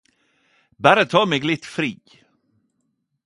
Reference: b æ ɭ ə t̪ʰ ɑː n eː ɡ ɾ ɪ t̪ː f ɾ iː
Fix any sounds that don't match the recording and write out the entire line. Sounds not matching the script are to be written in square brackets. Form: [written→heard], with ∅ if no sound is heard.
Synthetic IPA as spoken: b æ [ɭ→ɾ] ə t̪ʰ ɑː [n→m] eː ɡ [ɾ→l] ɪ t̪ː f ɾ iː